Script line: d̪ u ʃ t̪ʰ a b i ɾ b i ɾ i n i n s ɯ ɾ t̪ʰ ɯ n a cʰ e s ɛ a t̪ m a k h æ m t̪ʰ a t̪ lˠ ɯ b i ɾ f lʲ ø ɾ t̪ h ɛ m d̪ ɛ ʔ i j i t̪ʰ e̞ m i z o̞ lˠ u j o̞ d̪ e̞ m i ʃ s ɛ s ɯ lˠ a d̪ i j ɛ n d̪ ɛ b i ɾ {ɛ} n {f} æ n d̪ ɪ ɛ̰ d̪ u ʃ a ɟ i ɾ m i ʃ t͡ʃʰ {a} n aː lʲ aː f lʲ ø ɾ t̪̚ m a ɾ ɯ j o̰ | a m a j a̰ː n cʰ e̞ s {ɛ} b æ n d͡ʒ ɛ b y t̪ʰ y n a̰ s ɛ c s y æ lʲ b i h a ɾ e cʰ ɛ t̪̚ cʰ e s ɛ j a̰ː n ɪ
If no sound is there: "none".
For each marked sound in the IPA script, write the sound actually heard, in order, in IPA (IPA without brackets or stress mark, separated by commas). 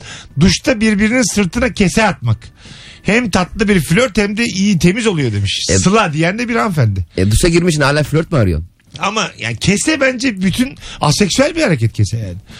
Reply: a, f, i, ɛ